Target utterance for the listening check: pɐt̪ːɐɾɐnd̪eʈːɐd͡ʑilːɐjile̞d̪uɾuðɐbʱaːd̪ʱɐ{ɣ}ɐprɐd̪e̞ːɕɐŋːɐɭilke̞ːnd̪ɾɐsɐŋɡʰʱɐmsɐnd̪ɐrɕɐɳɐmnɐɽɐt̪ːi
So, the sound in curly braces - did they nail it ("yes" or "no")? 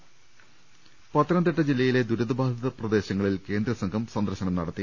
no